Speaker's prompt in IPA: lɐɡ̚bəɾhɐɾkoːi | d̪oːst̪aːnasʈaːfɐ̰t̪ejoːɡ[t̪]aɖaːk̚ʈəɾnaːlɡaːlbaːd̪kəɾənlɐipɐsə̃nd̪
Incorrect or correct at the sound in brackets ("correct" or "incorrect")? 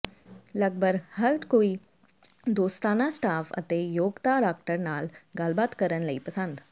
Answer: correct